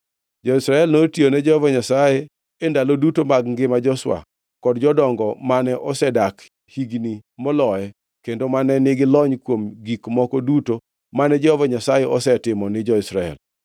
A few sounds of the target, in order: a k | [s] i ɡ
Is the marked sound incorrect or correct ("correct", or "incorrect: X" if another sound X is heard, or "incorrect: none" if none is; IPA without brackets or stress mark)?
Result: incorrect: h